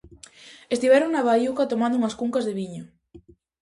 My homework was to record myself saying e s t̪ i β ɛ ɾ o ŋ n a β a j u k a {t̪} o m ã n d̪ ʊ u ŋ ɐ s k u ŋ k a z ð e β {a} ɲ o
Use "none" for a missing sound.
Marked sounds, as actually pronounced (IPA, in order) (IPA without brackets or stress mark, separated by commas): t̪, i